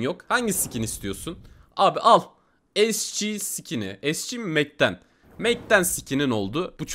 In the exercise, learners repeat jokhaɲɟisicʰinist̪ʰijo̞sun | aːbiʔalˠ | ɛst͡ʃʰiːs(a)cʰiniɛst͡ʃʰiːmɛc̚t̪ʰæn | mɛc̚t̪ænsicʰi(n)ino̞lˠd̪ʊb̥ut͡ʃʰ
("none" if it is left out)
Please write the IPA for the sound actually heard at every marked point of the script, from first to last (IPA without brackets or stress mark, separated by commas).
i, n